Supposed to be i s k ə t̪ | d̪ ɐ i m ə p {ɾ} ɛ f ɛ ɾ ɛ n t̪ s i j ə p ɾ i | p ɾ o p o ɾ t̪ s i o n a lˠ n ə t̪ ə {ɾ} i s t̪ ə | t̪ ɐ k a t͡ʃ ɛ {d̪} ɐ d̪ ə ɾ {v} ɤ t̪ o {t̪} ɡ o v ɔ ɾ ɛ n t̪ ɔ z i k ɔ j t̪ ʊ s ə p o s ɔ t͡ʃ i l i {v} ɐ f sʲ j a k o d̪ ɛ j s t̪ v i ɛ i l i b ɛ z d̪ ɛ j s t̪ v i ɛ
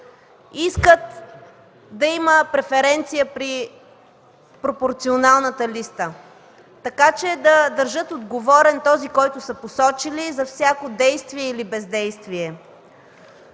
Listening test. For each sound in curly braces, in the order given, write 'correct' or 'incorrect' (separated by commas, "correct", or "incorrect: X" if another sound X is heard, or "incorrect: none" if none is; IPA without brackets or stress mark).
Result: correct, incorrect: l, correct, incorrect: ʒ, incorrect: d̪, incorrect: z